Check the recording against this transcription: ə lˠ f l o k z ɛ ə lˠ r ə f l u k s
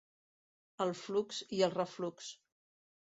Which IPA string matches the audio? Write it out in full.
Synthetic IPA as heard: ə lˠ f l u k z i ə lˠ r ə f l u k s